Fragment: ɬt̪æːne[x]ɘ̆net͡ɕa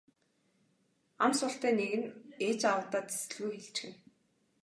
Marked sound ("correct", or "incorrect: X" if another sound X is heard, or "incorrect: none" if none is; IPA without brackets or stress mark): incorrect: ɣ